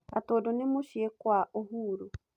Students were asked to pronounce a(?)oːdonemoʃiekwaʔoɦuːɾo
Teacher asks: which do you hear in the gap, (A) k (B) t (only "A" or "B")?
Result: B